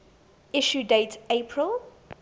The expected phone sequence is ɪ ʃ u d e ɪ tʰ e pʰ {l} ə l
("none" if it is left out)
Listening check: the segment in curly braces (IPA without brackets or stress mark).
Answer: ɹ